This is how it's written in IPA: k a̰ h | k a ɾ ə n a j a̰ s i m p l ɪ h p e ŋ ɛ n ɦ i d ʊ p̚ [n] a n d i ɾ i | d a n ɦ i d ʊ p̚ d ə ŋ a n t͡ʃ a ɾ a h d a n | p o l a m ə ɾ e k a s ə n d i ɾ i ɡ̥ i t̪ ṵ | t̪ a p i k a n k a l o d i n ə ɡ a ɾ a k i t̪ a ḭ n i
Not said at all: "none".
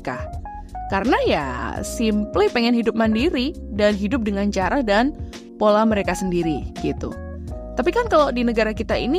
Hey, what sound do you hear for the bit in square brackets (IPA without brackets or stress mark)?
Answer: m